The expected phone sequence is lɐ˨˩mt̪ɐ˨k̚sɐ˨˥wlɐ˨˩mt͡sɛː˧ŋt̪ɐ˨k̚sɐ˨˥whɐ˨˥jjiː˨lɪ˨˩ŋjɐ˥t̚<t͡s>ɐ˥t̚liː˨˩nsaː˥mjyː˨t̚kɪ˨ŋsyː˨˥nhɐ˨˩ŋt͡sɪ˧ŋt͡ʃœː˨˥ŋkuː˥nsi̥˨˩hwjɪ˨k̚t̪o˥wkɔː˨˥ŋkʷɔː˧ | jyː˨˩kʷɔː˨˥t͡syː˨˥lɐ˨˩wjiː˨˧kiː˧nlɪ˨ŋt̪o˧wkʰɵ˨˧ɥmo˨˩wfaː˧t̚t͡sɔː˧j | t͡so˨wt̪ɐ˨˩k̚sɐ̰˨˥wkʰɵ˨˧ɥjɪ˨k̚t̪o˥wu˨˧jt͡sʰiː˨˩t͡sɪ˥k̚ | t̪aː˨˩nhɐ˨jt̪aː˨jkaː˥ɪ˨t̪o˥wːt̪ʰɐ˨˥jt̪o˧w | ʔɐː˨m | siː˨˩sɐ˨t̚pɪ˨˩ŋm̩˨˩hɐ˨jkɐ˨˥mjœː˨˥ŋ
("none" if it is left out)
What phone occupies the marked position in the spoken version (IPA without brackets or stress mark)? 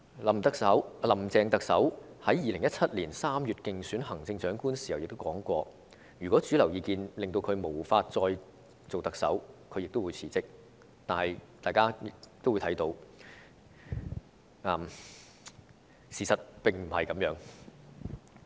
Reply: t͡sʰ